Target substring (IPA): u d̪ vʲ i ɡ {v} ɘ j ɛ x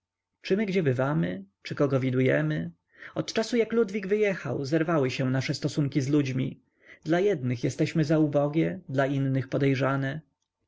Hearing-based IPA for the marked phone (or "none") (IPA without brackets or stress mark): v